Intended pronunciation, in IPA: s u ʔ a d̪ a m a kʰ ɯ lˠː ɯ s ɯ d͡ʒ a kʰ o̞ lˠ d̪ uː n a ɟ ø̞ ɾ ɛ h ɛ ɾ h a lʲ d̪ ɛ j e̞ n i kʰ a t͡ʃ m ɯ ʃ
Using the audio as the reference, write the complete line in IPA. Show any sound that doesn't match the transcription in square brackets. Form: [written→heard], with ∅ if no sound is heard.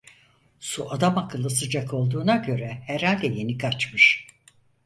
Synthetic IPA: s u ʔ a d̪ a m a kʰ ɯ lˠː ɯ s ɯ d͡ʒ a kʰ o̞ lˠ d̪ uː n a ɟ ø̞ ɾ ɛ h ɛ ɾ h a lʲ d̪ ɛ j e̞ n i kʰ a t͡ʃ m ɯ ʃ